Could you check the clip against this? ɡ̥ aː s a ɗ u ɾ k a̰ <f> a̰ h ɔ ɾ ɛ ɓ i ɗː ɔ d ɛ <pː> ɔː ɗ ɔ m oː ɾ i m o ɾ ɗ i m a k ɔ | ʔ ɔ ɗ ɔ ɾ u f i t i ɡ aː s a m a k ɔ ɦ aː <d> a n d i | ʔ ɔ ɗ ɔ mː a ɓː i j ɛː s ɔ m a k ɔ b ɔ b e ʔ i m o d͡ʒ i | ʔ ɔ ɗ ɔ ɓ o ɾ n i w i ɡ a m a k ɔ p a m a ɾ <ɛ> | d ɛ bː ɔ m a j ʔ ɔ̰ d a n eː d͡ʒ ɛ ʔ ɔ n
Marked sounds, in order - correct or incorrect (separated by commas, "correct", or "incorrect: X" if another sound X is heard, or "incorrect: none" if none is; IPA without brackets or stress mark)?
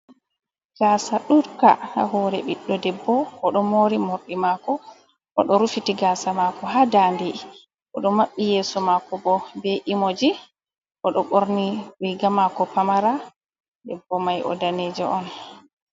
incorrect: h, incorrect: bː, correct, incorrect: a